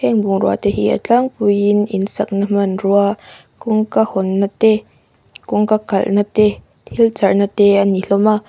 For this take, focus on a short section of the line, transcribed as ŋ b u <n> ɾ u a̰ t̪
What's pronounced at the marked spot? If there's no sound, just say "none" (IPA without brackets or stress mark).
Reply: ŋ